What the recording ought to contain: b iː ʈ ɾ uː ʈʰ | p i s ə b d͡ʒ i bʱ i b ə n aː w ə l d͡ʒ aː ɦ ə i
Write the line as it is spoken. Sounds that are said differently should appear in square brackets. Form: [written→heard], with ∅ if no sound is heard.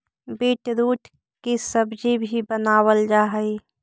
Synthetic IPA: b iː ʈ ɾ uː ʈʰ | [p→k] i s ə b d͡ʒ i bʱ i b ə n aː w ə l d͡ʒ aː ɦ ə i